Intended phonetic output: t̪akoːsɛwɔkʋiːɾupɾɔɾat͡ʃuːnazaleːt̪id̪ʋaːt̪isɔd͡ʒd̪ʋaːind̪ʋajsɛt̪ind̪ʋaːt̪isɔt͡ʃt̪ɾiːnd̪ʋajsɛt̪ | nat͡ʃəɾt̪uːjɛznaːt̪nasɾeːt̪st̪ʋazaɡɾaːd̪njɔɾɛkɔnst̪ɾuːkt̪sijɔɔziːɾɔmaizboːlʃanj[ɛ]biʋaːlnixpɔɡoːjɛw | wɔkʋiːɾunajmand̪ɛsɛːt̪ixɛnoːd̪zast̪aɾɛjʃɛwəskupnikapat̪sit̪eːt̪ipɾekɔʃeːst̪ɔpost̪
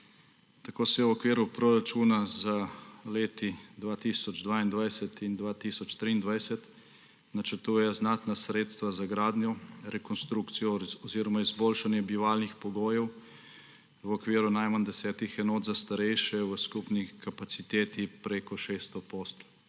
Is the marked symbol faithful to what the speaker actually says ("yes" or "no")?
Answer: yes